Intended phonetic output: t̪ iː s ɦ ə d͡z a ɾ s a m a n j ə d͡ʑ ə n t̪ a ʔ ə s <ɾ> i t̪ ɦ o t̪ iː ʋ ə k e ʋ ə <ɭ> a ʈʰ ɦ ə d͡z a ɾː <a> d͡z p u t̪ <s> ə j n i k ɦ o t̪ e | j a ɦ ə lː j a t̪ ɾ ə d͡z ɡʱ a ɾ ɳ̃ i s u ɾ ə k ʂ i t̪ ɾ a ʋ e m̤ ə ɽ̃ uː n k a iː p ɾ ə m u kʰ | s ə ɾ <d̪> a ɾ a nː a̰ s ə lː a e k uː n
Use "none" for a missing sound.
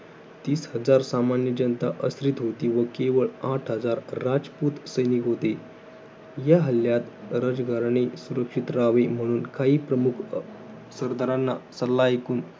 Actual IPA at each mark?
ɾ, ɭ, a, s, d̪

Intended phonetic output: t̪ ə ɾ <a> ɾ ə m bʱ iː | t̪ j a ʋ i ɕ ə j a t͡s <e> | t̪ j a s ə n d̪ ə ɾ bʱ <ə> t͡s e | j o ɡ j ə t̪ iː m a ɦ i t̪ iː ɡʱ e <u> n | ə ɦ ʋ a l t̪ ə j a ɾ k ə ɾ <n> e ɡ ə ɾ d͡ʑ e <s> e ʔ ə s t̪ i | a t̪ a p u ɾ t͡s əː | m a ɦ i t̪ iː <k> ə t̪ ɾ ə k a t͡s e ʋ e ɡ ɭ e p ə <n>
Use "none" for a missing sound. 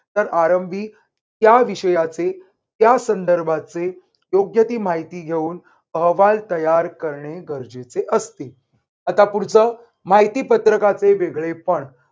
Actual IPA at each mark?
a, e, a, uː, ɳ, t͡s, p, ɳ

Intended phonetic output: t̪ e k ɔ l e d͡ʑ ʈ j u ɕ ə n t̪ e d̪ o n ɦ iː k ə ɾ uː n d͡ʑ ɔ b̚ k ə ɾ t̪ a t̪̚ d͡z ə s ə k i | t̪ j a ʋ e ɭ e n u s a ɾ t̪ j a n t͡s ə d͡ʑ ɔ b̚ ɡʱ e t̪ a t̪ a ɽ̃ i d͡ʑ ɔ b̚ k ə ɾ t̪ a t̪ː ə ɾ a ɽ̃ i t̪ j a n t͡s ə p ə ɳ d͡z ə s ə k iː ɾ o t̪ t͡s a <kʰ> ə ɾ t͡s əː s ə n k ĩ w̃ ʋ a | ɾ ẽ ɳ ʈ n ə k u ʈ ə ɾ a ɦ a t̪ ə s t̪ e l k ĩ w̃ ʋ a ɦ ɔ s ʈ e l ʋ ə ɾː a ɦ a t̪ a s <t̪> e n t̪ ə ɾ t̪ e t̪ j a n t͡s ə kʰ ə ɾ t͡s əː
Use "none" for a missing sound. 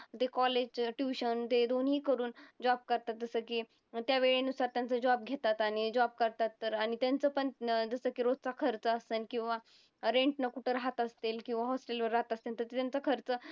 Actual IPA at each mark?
kʰ, t̪

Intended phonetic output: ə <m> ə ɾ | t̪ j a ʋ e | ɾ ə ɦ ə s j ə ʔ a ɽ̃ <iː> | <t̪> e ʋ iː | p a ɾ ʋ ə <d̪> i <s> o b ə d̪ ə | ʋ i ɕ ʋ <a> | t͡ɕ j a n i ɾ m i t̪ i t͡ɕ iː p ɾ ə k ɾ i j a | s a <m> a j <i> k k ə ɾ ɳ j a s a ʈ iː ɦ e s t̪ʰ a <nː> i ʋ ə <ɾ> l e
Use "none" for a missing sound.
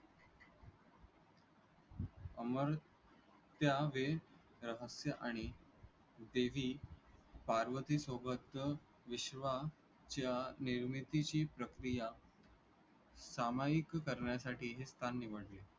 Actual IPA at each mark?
m, i, d̪, t̪, s, a, m, i, nː, ɽ

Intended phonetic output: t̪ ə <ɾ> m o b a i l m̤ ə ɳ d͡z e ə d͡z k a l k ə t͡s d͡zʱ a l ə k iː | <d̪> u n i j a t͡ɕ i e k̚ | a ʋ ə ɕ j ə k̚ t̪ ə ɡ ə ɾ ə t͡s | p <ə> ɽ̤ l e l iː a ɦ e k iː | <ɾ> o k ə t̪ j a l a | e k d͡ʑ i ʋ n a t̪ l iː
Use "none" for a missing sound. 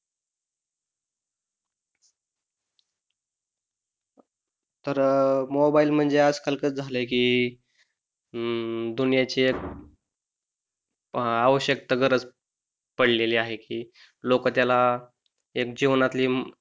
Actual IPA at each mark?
ɾ, d̪, ə, l

